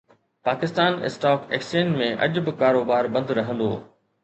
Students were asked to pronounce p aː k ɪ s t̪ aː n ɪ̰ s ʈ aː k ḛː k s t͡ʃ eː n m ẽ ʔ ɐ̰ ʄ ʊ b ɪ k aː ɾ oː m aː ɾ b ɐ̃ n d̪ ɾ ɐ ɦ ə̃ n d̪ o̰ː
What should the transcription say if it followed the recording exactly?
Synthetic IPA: p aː k ɪ s t̪ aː n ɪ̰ s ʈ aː k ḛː k s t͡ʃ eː n m ẽ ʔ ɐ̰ ʄ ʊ b ɪ k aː ɾ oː b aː ɾ b ɐ̃ n d̪ ɾ ɐ ɦ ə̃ n d̪ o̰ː

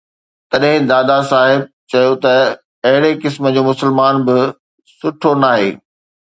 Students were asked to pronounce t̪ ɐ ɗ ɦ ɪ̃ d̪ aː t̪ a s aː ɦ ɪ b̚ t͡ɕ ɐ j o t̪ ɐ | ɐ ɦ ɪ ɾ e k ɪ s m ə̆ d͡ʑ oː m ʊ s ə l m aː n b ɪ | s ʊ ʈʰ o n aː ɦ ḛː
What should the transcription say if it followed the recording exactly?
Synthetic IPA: t̪ ɐ ɗ ɦ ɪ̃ d̪ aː d̪ a s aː ɦ ɪ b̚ t͡ɕ ɐ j o t̪ ɐ | ɐ ɦ ɪ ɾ e k ɪ s m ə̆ d͡ʑ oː m ʊ s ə l m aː n b ɪ | s ʊ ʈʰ o n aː ɦ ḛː

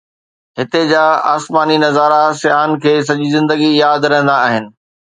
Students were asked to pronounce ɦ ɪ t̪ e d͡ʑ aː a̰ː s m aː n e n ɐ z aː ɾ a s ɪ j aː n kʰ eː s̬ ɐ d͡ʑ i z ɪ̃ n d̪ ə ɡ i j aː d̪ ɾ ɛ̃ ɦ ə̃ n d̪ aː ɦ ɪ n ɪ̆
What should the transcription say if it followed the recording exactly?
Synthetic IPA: ɦ ɪ t̪ e d͡ʑ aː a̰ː s m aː n i n ɐ z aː ɾ a s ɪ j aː n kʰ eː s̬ ɐ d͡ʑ i z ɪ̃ n d̪ ə ɡ i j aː d̪ ɾ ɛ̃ ɦ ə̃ n d̪ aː ɦ ɪ n ɪ̆

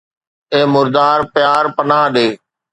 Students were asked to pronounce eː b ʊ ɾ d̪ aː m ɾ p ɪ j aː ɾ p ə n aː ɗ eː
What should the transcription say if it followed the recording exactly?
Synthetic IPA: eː m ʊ ɾ d̪ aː ɾ p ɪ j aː ɾ p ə n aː ɗ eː

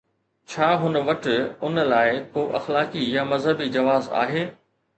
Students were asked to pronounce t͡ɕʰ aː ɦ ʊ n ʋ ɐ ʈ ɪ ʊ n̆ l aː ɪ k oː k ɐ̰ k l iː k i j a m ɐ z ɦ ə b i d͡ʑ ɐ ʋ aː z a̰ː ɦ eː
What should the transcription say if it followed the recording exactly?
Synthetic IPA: t͡ɕʰ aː ɦ ʊ n ʋ ɐ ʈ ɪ ʊ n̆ l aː ɪ k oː ʔ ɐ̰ x l aː k i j a m ɐ z ɦ ə b i d͡ʑ ɐ ʋ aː z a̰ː ɦ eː

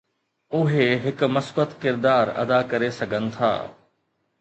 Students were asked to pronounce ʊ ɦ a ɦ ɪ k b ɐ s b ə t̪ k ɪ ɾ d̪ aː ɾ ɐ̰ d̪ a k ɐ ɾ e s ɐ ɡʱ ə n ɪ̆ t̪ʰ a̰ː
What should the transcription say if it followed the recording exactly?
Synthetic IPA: ʊ ɦ e ɦ ɪ k m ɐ s b ə t̪ k ɪ ɾ d̪ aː ɾ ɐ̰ d̪ a k ɐ ɾ e s ɐ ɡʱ ə n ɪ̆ t̪ʰ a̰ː

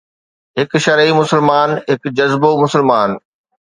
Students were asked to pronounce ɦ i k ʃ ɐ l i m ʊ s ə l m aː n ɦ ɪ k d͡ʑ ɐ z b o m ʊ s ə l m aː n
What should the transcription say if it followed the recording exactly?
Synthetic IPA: ɦ ɪ k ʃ ɐ ɾ i m ʊ s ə l m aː n ɦ ɪ k d͡ʑ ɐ z b o m ʊ s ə l m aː n

